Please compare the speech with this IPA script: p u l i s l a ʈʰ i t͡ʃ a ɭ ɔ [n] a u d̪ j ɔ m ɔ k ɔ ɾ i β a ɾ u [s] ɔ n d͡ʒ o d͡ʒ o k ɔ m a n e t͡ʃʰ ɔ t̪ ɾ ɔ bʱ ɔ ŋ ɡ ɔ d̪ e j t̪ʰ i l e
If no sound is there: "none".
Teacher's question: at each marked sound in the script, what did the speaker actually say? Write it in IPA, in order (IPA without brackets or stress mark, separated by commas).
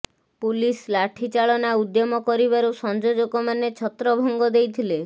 n, s